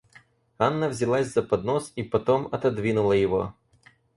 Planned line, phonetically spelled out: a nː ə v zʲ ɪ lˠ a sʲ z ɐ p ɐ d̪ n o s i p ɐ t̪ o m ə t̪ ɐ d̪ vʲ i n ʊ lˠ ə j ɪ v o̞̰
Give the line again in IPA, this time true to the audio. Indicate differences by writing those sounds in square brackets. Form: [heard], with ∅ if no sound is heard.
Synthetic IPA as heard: a nː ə v zʲ ɪ lˠ a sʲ z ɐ p ɐ d̪ n o s i p ɐ t̪ o m [ɐ] t̪ ɐ d̪ vʲ i n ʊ lˠ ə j ɪ v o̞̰